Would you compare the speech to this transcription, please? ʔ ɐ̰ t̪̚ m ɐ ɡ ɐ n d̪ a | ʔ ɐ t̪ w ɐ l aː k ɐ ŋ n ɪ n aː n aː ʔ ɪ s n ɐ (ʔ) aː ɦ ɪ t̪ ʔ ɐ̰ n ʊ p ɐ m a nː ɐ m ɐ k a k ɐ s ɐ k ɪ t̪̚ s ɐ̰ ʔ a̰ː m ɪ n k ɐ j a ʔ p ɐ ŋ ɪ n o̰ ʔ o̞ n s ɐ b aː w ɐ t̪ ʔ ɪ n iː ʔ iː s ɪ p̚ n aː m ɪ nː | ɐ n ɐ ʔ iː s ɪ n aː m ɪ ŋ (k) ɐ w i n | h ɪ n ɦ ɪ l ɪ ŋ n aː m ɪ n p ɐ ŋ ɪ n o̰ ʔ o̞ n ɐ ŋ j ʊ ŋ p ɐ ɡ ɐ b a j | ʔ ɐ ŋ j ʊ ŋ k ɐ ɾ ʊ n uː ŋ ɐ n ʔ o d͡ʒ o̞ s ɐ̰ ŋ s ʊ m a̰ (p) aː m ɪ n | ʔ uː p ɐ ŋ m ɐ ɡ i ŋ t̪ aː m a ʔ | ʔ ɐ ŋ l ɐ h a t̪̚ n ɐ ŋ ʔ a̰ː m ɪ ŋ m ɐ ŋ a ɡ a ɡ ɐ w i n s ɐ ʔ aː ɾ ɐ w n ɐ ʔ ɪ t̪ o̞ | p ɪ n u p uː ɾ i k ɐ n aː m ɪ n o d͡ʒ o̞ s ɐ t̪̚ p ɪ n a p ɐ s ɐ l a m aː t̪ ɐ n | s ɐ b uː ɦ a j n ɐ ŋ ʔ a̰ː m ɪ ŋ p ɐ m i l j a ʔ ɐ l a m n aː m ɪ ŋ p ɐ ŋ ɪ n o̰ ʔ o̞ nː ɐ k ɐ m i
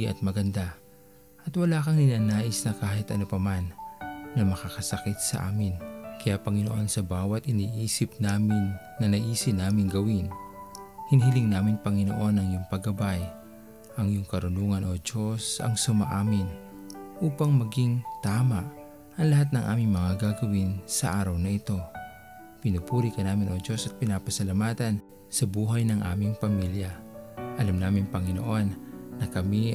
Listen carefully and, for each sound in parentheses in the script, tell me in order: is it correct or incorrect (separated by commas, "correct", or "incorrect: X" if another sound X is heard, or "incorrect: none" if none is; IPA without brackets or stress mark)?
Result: incorrect: k, incorrect: ɡ, incorrect: ʔ